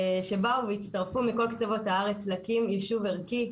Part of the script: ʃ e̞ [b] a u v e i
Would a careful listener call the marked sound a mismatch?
no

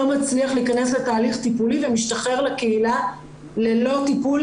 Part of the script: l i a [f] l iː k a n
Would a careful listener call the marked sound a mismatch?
yes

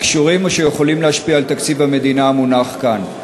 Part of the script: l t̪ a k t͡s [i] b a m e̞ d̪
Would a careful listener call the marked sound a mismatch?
no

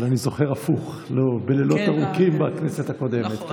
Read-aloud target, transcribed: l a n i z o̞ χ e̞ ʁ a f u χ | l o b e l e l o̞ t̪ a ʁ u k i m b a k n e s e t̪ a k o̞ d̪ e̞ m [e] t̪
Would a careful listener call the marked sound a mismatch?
no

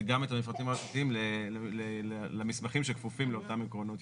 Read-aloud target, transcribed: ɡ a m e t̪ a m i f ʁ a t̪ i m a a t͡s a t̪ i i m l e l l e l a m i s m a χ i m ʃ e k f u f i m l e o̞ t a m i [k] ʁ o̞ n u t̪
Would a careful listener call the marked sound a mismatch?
no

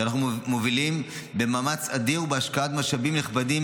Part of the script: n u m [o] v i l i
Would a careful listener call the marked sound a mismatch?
no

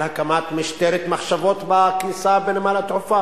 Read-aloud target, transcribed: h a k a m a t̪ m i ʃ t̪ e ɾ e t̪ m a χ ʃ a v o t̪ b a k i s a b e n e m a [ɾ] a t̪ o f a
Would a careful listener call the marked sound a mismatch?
yes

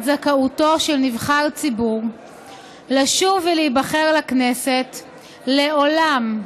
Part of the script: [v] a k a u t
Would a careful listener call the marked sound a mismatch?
yes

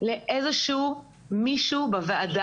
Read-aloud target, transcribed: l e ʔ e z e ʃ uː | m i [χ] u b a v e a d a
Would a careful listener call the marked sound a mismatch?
yes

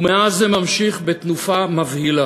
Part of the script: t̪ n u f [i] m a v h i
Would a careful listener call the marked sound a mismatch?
yes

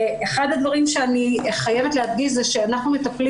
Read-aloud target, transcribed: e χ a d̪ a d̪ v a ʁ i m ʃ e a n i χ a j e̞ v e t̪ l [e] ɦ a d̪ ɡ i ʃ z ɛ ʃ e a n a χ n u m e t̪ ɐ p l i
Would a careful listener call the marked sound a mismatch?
no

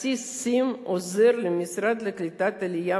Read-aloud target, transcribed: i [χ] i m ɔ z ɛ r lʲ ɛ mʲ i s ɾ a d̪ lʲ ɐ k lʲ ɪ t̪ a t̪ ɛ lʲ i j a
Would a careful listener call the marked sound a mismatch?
yes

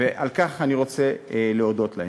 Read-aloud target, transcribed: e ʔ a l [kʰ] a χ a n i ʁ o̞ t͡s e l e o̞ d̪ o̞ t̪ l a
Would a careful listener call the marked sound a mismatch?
yes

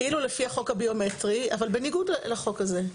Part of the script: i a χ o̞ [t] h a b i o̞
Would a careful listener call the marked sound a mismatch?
yes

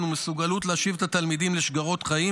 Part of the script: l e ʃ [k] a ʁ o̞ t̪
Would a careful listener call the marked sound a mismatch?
yes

